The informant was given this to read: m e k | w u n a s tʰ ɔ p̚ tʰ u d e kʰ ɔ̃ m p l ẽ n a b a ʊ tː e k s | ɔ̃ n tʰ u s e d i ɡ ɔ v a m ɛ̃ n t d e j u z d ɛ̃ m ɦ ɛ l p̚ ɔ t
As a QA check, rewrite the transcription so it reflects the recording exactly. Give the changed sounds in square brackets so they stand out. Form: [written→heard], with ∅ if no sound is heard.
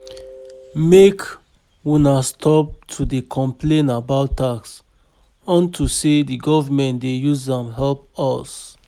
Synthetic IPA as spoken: m e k | w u n a s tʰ ɔ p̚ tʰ u d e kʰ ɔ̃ m p l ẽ n a b a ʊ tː [e→a] k s | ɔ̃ n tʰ u s e d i ɡ ɔ v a m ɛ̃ n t d e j u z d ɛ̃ m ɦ ɛ l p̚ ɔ [t→s]